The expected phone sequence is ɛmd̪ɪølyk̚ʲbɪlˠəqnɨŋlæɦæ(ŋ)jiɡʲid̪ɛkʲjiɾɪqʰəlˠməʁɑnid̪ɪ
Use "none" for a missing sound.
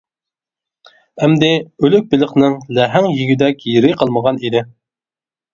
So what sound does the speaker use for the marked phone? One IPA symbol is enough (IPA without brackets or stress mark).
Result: ŋ